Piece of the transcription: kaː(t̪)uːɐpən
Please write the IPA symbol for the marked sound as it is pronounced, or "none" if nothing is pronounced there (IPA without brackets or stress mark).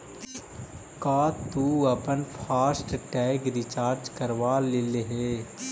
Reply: t̪